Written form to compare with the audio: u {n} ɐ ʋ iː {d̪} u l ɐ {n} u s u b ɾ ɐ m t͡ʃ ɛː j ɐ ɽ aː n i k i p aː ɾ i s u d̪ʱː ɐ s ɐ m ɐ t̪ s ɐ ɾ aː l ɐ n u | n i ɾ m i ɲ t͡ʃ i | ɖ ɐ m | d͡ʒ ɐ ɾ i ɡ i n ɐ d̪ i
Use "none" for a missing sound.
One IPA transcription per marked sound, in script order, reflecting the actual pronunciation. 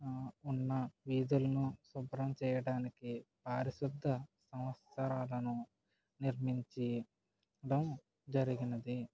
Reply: nː, d̪, n

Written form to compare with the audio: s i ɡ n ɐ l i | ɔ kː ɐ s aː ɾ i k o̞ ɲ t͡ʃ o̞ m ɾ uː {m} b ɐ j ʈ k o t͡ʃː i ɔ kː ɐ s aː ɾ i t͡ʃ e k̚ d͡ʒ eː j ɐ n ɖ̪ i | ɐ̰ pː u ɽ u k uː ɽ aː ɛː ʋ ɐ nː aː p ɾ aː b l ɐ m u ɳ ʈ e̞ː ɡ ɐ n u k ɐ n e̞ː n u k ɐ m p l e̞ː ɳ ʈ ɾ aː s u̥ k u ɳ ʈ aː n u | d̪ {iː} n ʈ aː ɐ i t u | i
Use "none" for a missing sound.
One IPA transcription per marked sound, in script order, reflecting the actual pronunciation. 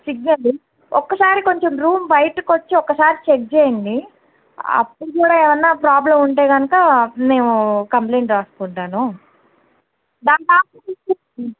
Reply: m, aː

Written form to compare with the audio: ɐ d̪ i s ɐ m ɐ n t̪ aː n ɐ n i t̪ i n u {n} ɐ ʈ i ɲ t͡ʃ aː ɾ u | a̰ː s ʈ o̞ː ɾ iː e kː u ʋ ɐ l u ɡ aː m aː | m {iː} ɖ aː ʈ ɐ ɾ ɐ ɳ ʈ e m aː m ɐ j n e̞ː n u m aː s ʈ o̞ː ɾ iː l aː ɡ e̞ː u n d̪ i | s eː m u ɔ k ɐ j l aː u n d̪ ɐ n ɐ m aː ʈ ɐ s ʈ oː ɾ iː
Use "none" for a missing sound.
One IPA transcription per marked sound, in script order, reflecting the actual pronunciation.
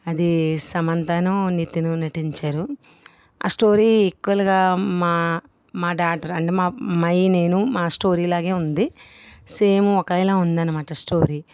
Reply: n, aː

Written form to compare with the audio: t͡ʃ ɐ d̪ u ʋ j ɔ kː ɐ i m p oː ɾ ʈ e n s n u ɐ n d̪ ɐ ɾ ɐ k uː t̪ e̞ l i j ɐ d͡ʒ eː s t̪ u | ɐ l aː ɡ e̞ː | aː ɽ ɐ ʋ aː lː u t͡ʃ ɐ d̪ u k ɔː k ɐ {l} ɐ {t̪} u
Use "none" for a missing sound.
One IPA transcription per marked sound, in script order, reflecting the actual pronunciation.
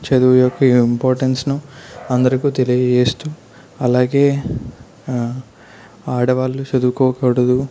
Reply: ɽ, d̪

